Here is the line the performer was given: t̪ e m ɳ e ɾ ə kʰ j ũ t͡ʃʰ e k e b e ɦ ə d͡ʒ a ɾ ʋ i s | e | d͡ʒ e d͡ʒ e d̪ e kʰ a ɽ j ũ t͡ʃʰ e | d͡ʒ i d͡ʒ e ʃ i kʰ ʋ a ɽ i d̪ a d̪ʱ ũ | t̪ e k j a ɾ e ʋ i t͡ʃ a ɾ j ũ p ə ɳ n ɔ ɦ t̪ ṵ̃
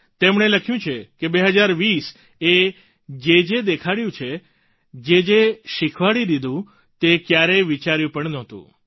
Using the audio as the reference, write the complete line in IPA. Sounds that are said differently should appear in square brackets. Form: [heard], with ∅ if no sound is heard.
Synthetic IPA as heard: t̪ e m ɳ e [l] ə kʰ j ũ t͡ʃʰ e k e b e ɦ ə d͡ʒ a ɾ ʋ i s | e | d͡ʒ e d͡ʒ e d̪ e kʰ a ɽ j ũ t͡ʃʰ e | d͡ʒ [e] d͡ʒ e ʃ i kʰ ʋ a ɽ i d̪ [i] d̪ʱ ũ | t̪ e k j a ɾ e ʋ i t͡ʃ a ɾ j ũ p ə ɳ n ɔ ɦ t̪ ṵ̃

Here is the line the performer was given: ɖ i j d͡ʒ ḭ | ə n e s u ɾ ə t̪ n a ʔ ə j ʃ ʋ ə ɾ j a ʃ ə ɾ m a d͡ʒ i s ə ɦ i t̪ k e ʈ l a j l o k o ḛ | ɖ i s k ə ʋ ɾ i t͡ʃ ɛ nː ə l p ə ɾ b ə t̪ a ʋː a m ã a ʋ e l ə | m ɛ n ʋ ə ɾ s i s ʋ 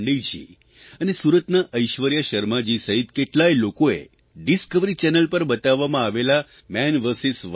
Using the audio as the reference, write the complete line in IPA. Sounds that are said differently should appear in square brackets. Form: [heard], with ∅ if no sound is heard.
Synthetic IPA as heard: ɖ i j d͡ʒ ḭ | ə n e s u ɾ ə t̪ n a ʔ ə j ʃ ʋ ə ɾ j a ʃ ə ɾ m a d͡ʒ i s ə ɦ i t̪ k e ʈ l a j l o k o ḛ | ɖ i s k ə ʋ ɾ i t͡ʃ ɛ [n] ə l p ə ɾ b ə t̪ a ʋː a m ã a ʋ e l [a] | m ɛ n ʋ ə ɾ s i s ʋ

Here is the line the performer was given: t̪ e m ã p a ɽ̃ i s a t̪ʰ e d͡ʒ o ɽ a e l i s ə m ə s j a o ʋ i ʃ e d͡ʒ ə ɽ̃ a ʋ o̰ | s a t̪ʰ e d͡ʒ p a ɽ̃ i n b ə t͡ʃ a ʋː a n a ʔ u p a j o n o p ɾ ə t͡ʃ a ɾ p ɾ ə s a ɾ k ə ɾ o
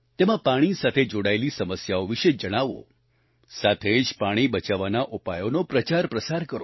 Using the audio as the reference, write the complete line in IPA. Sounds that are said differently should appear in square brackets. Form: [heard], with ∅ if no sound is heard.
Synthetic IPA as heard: t̪ e m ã p a ɽ̃ i s a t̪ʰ e d͡ʒ o ɽ a e l i s ə m ə s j a o ʋ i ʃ e d͡ʒ ə ɽ̃ a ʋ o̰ | s a t̪ʰ e d͡ʒ p a ɽ̃ i [∅] b ə t͡ʃ a [ʋ] a n a ʔ u p a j o n o p ɾ ə t͡ʃ a ɾ p ɾ ə s a ɾ k ə ɾ o

